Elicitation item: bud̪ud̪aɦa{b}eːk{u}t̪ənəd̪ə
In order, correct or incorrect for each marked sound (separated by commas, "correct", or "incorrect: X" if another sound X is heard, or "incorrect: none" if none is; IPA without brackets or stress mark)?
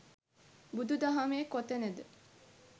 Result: incorrect: m, incorrect: o